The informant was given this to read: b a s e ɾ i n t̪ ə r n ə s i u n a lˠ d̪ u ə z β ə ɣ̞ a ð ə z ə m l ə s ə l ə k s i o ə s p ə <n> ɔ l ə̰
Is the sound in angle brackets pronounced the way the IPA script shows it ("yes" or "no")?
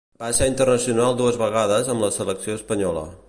no